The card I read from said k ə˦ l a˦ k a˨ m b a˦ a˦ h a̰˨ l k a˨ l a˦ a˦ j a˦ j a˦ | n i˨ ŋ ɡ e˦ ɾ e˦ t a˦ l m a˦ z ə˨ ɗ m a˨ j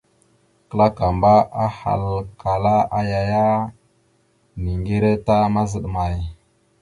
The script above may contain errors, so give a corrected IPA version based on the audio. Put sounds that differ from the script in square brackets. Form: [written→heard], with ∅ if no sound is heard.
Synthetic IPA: k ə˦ l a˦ k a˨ m b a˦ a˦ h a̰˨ l k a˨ l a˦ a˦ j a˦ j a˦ | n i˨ ŋ ɡ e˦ ɾ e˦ t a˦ [l→∅] m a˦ z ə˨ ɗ m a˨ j